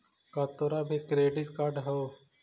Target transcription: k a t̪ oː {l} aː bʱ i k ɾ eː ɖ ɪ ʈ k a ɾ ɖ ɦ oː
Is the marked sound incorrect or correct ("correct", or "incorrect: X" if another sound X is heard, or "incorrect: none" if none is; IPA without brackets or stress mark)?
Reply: incorrect: ɾ